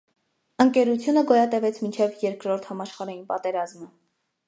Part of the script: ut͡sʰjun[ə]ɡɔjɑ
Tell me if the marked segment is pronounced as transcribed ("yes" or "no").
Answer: yes